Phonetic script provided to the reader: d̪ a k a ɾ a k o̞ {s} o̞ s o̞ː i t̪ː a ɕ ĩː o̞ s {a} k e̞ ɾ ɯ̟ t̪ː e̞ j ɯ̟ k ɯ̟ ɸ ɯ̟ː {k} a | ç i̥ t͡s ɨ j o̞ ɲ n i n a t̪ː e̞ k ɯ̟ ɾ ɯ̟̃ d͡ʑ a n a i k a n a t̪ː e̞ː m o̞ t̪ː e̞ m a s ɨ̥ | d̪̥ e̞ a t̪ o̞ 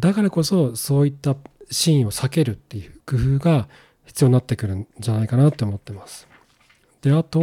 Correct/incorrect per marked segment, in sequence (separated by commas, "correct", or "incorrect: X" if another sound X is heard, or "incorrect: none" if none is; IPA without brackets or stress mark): correct, correct, incorrect: ɡ